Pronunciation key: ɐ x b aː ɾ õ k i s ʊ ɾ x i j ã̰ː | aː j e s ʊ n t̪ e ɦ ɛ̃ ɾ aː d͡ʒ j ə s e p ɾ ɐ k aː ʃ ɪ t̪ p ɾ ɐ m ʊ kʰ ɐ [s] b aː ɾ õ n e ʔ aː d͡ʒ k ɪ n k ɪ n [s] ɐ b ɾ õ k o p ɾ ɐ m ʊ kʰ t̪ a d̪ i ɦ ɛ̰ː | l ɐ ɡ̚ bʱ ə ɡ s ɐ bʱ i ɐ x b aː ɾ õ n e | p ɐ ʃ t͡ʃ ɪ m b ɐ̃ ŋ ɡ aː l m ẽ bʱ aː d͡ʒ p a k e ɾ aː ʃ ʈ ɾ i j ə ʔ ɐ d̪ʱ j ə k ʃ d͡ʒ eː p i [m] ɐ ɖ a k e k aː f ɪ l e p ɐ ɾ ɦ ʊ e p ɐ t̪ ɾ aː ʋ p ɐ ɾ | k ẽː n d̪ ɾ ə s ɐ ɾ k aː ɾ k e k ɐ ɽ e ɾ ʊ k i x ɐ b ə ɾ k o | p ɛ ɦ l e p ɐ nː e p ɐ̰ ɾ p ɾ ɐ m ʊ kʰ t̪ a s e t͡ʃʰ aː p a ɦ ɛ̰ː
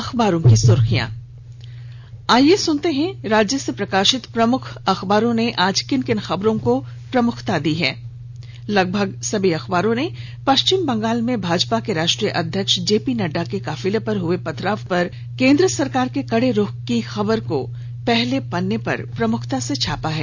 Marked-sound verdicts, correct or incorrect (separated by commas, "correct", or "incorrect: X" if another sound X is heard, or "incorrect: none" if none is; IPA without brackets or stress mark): incorrect: x, incorrect: x, incorrect: n